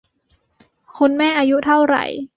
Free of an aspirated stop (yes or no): no